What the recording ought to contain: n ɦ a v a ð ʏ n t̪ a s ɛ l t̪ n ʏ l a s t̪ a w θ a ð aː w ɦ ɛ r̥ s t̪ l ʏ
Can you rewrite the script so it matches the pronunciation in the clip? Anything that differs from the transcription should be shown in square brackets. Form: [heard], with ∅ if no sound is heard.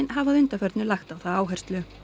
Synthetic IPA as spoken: n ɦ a v a ð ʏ n t̪ a [f] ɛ [ɾ] t̪ n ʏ l a [x] t̪ a w θ a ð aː w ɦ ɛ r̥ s t̪ l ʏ